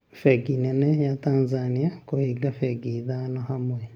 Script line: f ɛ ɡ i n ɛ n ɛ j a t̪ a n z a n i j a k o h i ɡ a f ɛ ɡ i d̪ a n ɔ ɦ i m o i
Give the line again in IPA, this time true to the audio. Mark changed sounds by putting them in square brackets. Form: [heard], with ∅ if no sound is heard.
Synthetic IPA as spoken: f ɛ ɡ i n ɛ n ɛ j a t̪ a n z a n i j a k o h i ɡ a f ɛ ɡ i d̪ a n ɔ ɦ [a] m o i